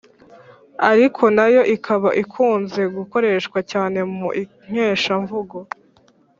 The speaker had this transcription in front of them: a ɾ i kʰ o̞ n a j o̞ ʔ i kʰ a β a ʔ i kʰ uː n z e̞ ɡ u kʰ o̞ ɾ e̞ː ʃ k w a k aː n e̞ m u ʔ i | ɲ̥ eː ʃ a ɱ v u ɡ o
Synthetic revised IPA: a ɾ i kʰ o̞ n a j o̞ ʔ i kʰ a β a ʔ i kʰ uː n z e̞ ɡ u k o̞ ɾ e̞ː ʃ k w a c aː n e̞ m u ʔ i | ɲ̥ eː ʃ a ɱ v u ɡ o